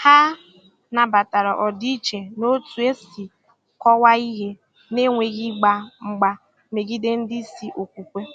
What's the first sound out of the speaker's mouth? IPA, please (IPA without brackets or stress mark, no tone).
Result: h